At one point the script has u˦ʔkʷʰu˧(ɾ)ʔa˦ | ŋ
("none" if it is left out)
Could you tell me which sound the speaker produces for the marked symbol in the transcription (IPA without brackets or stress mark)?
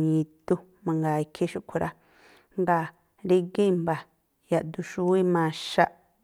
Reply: ɾ